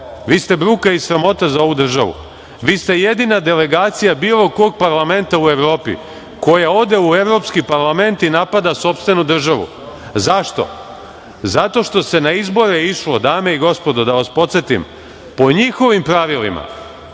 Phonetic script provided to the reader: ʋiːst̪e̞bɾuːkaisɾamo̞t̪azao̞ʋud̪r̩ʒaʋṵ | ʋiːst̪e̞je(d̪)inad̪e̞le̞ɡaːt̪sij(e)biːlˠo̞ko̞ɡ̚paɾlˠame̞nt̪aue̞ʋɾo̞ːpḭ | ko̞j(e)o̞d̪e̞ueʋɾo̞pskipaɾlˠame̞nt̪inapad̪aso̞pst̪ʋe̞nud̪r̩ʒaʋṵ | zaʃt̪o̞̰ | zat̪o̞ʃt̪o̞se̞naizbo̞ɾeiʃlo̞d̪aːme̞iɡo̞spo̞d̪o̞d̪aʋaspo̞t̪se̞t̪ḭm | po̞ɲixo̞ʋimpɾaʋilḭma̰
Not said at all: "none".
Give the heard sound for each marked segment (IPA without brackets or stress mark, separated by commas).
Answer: d̪, a, a